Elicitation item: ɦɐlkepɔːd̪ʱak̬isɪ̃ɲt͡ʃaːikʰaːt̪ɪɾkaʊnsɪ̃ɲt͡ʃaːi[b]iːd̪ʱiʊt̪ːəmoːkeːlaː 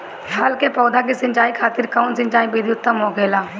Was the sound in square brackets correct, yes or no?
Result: yes